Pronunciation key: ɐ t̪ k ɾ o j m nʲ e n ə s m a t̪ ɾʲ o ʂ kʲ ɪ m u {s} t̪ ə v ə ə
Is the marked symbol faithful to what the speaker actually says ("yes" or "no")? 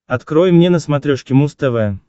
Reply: yes